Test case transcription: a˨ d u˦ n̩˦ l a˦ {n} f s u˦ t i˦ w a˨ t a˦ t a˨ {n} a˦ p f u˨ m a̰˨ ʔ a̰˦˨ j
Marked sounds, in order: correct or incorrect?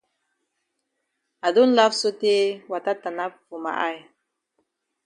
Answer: incorrect: none, correct

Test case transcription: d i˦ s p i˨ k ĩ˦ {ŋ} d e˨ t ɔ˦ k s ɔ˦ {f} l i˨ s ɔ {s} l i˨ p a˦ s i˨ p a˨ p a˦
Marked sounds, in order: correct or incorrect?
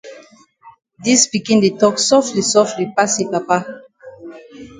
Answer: incorrect: n, correct, incorrect: f

